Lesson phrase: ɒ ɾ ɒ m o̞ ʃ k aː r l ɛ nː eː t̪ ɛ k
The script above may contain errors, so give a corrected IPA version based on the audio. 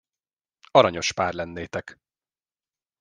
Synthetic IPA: ɒ ɾ ɒ ɲ o̞ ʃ p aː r l ɛ nː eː t̪ ɛ k